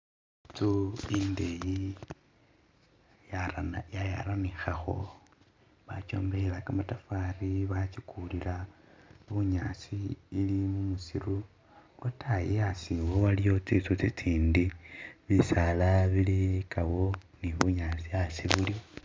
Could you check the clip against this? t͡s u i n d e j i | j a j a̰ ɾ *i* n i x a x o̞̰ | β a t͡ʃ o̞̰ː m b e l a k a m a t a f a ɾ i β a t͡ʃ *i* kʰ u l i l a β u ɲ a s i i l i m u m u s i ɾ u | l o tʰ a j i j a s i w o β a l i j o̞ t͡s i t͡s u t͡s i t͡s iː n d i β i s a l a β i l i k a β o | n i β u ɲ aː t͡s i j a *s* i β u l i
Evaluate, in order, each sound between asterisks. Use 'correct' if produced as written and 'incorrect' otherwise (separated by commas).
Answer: incorrect, correct, correct